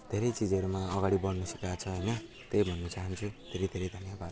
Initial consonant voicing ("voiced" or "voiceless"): voiced